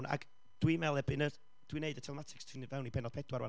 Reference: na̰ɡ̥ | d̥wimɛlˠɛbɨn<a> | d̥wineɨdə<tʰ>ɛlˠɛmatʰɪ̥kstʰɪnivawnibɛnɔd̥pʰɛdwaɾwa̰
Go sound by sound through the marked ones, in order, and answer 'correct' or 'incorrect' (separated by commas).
incorrect, correct